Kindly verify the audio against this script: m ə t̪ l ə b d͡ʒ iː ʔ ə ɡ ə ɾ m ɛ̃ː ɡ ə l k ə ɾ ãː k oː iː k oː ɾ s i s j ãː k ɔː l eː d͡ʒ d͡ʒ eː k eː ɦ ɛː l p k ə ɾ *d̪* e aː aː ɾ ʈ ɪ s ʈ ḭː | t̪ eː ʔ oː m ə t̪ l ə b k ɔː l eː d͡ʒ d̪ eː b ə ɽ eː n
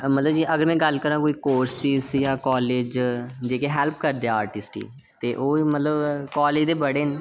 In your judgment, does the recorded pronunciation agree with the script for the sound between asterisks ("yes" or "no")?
yes